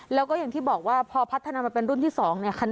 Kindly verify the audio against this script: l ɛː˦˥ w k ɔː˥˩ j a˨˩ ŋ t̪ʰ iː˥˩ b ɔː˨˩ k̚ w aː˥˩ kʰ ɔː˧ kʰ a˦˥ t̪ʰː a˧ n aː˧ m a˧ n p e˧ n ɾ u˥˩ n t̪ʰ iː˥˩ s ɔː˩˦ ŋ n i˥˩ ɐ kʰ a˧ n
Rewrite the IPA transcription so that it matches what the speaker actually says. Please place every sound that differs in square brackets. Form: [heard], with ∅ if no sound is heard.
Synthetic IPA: l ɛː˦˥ w k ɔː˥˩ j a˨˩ ŋ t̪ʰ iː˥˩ b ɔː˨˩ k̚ w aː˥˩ [pʰ] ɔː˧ [pʰ] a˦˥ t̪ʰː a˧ n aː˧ m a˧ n p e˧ n ɾ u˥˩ n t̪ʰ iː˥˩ s ɔː˩˦ ŋ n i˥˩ ɐ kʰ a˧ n